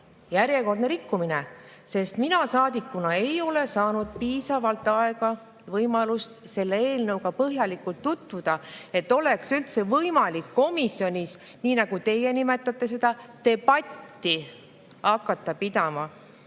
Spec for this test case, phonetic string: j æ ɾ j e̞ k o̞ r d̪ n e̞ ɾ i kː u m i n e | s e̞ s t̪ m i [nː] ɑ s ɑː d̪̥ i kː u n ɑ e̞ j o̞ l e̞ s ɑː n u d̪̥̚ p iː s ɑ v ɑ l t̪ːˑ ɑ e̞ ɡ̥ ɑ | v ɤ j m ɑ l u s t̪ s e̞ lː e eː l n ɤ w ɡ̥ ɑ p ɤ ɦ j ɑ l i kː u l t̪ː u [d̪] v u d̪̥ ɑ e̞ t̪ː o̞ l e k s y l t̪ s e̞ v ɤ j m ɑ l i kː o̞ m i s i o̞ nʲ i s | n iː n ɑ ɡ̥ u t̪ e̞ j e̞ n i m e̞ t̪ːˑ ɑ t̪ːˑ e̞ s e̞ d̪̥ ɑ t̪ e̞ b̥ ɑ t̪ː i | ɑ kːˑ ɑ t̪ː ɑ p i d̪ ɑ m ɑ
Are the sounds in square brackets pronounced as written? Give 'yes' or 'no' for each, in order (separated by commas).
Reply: no, no